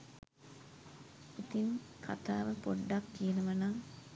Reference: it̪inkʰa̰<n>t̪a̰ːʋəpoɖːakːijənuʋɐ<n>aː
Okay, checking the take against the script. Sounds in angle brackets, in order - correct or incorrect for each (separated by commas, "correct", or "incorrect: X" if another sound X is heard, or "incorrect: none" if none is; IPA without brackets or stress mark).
incorrect: none, correct